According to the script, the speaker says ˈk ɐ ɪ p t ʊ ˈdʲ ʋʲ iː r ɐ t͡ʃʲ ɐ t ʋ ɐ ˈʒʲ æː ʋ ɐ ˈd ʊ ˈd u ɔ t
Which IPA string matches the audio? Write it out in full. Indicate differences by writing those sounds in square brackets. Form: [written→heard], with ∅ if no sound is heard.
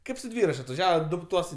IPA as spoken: ˈk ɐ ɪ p [t→s] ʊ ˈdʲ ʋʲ iː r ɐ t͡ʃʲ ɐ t ʋ ɐ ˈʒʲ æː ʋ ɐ ˈd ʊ [ˈd→ˈt] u ɔ [t→s]

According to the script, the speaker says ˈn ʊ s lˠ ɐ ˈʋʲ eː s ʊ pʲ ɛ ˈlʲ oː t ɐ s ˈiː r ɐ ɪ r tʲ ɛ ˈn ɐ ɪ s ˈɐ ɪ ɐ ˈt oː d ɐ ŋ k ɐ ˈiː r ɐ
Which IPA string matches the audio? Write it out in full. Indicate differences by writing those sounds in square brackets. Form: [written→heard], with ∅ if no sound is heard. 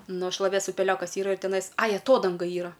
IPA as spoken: ˈn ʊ [s→ʃ] lˠ ɐ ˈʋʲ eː s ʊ pʲ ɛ ˈlʲ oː [t→k] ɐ s ˈiː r ɐ ɪ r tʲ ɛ ˈn ɐ ɪ s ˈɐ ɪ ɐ ˈt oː d ɐ ŋ [k→ɡ] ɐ ˈiː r ɐ

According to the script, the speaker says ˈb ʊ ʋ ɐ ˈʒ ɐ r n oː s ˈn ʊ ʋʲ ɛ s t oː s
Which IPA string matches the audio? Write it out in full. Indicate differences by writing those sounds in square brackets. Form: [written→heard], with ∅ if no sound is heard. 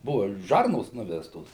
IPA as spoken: ˈb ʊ ʋ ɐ ˈʒ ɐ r n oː s ˈn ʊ ʋʲ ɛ s t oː s

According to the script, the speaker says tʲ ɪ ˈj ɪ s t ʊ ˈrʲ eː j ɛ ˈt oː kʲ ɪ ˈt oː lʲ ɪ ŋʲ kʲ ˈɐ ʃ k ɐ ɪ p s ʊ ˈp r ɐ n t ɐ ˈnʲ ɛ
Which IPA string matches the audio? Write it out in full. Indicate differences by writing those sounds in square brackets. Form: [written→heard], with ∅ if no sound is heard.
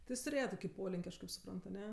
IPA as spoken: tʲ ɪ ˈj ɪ s t ʊ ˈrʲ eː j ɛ ˈt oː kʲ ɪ [ˈt→ˈp] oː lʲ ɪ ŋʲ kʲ ˈɐ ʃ k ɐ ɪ p s ʊ ˈp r ɐ n t ɐ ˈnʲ ɛ

